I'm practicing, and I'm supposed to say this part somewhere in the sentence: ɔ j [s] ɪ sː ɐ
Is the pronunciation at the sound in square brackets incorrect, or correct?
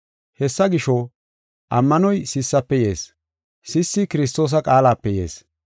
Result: correct